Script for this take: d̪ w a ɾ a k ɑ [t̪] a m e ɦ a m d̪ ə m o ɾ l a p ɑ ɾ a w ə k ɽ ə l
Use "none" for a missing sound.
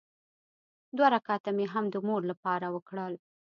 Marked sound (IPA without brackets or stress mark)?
t̪